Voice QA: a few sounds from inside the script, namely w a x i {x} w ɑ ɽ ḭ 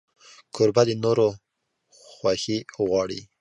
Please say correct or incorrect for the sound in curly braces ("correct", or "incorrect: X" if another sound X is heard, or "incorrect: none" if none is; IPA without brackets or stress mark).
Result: incorrect: ɣ